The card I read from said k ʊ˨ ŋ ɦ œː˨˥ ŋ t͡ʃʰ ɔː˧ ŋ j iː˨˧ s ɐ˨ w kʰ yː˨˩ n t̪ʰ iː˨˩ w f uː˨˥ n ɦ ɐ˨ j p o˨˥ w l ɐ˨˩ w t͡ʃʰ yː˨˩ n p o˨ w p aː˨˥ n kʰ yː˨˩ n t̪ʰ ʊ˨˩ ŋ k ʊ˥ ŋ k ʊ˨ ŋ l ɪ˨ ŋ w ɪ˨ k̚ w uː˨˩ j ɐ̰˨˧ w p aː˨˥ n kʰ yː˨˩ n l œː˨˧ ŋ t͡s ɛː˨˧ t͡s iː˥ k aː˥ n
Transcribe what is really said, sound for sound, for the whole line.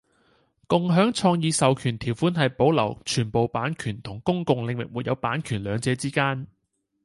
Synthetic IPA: k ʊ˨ ŋ ɦ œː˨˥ ŋ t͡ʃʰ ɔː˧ ŋ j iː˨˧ s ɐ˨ w kʰ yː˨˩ n t̪ʰ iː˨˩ w f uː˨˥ n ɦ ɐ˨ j p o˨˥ w l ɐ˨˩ w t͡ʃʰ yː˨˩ n p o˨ w p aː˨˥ n kʰ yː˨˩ n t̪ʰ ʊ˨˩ ŋ k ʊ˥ ŋ k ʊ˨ ŋ l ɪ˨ ŋ w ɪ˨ k̚ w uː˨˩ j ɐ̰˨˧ w p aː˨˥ n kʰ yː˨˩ n l œː˨˧ ŋ t͡s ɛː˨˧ t͡s iː˥ k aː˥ n